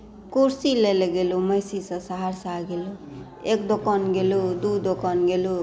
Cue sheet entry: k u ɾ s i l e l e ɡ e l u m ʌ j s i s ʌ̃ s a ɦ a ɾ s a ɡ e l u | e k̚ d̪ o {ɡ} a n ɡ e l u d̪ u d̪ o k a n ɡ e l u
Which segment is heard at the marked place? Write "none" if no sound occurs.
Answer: k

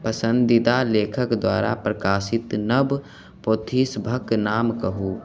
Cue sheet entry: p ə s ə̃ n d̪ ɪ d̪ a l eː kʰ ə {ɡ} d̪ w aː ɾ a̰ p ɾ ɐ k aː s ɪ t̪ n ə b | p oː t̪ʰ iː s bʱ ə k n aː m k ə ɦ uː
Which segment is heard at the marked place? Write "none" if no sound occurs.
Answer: k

